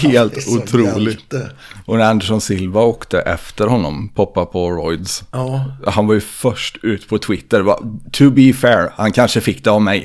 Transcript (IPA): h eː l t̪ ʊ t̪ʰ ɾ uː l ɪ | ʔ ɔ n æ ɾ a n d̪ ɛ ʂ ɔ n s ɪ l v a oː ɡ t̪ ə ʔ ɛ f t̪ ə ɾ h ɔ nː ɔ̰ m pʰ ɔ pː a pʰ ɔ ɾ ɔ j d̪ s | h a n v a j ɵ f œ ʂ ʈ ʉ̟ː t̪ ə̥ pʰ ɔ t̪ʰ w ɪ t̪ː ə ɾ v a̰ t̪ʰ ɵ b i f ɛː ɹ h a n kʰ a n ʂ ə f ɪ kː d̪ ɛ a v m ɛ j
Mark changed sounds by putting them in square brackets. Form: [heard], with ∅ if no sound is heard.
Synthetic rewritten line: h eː l t̪ ʊ t̪ʰ ɾ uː l ɪ | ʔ ɔ n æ ɾ a n d̪ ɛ ʂ ɔ n s ɪ l v a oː [k] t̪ ə ʔ ɛ f t̪ ə ɾ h ɔ nː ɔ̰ m pʰ ɔ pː a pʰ ɔ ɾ ɔ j d̪ s | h a n v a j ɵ f œ ʂ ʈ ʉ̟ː t̪ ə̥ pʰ ɔ t̪ʰ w ɪ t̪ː ə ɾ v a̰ t̪ʰ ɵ b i f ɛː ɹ h a n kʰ a n ʂ ə f ɪ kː d̪ ɛ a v m ɛ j